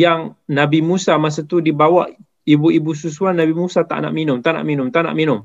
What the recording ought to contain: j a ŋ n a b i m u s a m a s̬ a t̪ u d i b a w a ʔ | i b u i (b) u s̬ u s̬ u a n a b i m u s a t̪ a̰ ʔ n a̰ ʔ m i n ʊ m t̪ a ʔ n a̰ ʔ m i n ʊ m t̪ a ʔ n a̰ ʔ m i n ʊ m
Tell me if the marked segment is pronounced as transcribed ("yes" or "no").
yes